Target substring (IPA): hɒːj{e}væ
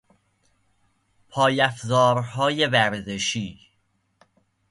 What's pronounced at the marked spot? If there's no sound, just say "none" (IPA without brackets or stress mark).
e